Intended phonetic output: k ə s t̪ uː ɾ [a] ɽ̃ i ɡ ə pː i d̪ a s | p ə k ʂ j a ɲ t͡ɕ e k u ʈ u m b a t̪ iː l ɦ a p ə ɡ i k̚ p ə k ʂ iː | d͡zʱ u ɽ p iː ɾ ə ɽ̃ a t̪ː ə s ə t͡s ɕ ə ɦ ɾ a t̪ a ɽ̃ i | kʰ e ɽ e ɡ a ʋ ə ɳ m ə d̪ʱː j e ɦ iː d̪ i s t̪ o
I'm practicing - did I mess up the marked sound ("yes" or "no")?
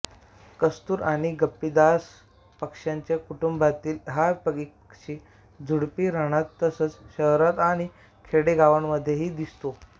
no